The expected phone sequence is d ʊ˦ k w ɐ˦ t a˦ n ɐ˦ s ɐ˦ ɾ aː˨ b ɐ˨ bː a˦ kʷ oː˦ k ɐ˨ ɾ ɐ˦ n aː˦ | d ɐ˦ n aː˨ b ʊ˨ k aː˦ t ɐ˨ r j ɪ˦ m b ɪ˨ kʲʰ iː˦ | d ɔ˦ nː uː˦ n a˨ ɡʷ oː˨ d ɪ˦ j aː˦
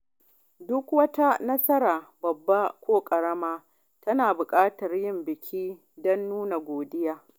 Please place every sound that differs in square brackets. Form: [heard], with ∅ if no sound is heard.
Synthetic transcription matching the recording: d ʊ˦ k w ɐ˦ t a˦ n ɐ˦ s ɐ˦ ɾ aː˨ b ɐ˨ bː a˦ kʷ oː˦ [kʼ] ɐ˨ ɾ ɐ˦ [m] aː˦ | [t] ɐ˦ n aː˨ b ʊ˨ [kʼ] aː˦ t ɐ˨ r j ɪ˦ m b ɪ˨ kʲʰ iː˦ | d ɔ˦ nː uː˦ n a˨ ɡʷ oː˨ d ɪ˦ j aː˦